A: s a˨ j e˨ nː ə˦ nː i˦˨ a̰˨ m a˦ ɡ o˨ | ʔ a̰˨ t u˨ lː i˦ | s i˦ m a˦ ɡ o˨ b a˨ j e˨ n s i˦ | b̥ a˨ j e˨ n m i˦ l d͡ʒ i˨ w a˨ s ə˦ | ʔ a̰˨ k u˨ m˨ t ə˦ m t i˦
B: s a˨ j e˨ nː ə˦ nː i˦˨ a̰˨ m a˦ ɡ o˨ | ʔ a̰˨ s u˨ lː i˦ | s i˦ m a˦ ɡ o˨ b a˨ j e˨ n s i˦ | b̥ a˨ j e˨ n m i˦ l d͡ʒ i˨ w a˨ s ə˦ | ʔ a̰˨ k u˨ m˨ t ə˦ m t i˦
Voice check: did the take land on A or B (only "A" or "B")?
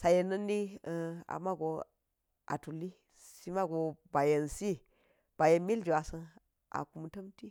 A